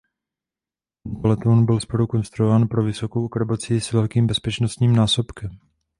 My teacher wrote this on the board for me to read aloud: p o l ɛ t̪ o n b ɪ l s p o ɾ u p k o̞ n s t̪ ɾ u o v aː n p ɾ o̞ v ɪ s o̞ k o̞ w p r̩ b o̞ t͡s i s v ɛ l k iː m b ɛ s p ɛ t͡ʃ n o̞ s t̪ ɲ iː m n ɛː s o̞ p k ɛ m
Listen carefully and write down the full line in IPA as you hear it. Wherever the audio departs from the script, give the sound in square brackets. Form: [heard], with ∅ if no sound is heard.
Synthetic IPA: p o l ɛ t̪ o n b ɪ l s p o ɾ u [∅] k o̞ n s t̪ ɾ u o v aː n p ɾ o̞ v ɪ s o̞ k o̞ w [k] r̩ b o̞ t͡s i s v ɛ l k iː m b ɛ s p ɛ t͡ʃ n o̞ s t̪ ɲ iː m n [aː] s o̞ p k ɛ m